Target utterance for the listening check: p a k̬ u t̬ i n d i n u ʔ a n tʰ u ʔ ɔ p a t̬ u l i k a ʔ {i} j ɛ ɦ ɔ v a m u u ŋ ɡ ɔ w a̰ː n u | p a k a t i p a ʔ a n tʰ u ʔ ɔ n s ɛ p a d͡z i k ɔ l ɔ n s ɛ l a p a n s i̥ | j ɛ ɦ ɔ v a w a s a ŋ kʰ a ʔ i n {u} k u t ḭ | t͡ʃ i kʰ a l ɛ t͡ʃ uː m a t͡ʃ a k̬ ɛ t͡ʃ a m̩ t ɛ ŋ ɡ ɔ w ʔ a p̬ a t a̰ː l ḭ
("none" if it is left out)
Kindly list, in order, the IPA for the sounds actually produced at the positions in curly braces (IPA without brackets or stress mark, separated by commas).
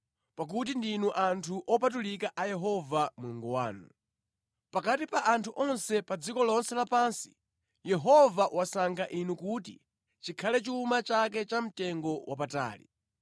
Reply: a, u